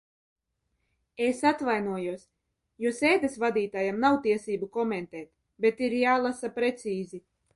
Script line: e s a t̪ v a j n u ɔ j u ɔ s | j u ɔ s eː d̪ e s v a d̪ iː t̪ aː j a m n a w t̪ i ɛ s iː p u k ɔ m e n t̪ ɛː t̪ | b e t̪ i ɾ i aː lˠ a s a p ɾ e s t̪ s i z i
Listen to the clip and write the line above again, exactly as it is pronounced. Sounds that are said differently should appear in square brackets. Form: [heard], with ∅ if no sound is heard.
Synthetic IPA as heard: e s a t̪ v a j n u ɔ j u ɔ s | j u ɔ s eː d̪ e s v a d̪ iː t̪ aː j a m n a w t̪ i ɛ s iː [b] u k ɔ m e n t̪ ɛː t̪ | b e t̪ i ɾ [j] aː lˠ a s a p ɾ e [∅] t̪ s [iː] z i